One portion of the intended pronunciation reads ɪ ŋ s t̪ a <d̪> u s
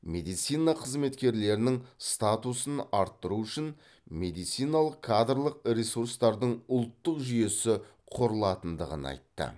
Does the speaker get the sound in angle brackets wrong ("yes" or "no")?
yes